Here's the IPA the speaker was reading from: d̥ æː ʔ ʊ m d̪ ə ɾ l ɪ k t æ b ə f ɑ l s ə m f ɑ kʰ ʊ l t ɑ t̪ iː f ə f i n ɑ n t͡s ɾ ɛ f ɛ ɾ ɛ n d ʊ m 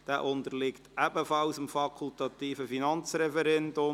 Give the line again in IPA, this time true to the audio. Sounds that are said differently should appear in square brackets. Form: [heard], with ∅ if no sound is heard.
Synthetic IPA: d̥ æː ʔ ʊ [n] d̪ ə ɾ l ɪ k t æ b ə f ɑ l s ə m f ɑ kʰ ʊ l t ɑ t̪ iː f ə f i n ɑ n t͡s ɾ ɛ f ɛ ɾ ɛ n d ʊ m